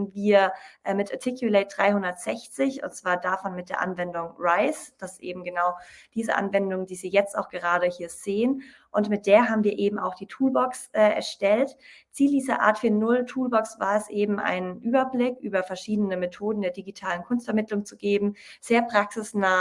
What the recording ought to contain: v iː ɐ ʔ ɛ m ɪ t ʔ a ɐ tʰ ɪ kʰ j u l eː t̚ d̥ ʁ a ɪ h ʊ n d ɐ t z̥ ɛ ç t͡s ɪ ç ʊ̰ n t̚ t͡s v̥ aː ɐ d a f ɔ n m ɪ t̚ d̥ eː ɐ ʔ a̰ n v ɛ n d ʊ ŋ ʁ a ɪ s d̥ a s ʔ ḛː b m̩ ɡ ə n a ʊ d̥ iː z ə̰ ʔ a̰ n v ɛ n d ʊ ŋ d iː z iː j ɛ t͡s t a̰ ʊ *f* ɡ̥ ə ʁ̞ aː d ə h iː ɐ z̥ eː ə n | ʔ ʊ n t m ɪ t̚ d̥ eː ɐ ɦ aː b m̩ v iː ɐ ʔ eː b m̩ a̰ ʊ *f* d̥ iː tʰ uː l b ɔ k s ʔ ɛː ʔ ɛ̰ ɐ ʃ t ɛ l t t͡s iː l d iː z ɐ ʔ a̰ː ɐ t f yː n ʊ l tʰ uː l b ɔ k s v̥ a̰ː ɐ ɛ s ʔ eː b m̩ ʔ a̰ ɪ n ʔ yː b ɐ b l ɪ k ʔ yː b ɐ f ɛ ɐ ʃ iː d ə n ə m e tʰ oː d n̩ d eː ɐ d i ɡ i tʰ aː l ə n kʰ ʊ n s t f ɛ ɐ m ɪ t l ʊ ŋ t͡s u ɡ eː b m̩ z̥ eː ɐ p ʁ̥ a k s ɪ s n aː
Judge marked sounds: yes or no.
no, no

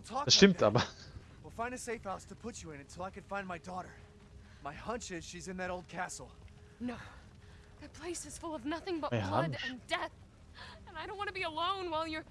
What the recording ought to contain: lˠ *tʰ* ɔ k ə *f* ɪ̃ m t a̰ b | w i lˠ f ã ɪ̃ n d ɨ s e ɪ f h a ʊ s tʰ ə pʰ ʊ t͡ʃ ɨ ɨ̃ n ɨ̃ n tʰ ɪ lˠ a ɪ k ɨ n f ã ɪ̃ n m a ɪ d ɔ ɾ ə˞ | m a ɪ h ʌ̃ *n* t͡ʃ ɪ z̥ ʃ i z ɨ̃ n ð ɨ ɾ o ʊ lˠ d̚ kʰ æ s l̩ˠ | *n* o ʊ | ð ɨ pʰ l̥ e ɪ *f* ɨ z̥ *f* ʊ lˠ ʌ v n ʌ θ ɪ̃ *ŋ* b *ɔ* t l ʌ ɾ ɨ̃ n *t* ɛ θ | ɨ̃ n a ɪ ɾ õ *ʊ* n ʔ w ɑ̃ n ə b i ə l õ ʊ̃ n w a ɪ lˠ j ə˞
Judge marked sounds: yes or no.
yes, no, yes, yes, no, yes, yes, no, no, no

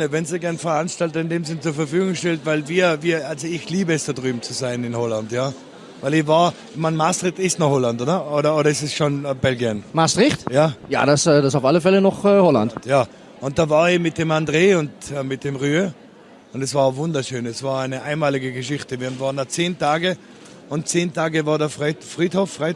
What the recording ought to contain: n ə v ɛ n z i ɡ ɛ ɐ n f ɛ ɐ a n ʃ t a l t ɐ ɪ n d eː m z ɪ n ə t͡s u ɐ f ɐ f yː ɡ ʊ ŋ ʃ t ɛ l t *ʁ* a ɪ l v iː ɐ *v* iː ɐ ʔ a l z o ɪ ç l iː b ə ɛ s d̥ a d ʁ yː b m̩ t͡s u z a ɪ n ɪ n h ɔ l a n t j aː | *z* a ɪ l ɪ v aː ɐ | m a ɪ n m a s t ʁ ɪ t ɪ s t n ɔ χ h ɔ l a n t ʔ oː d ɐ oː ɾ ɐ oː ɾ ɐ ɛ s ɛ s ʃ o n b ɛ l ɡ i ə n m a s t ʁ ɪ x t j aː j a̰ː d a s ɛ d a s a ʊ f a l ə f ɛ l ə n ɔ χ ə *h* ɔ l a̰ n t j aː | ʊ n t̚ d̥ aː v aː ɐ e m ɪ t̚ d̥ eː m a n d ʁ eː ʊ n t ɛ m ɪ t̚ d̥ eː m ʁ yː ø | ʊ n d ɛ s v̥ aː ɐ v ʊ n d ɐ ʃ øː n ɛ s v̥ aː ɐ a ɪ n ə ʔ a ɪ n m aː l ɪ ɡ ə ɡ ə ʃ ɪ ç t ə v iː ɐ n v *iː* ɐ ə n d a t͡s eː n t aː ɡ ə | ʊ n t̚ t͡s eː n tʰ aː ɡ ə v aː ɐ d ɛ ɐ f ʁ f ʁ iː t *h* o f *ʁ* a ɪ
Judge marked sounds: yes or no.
no, yes, no, yes, no, yes, yes

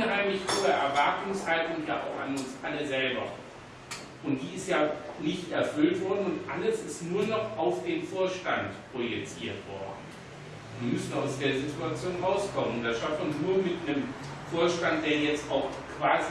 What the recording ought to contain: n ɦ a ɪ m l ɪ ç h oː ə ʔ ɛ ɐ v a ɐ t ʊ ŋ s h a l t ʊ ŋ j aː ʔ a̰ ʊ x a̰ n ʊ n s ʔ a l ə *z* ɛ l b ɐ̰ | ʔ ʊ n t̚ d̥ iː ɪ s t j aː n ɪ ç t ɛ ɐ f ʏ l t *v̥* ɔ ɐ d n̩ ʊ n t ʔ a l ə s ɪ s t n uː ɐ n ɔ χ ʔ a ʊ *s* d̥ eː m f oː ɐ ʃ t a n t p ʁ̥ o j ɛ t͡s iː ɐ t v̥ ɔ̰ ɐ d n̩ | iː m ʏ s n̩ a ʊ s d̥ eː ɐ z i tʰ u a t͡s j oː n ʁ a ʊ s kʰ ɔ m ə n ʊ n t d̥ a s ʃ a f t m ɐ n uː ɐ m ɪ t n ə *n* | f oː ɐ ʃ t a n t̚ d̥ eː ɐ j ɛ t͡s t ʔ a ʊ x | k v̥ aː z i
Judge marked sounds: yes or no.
yes, yes, no, no

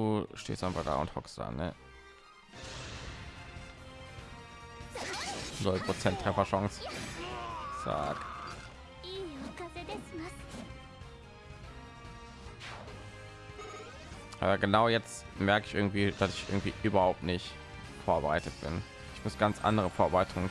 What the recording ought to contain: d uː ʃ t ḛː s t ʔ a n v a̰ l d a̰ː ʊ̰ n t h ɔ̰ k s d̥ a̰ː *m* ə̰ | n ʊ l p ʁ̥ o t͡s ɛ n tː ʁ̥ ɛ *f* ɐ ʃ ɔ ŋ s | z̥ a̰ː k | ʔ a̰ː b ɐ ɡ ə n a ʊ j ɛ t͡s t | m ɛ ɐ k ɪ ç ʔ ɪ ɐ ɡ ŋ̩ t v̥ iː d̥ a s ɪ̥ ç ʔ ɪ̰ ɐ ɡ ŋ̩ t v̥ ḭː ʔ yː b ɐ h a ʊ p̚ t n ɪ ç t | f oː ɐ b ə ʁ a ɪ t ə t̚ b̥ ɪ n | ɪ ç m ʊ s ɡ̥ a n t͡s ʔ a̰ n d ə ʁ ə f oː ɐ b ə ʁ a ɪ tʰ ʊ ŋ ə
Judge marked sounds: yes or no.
no, yes

